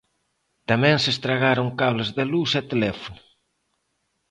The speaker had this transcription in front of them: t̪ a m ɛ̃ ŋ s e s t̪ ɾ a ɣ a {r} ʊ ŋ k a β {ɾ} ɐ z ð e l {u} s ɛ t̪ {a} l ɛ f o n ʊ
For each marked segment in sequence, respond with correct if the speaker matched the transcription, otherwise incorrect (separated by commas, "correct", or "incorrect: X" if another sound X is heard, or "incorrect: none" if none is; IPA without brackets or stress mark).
incorrect: ɾ, incorrect: l, correct, incorrect: e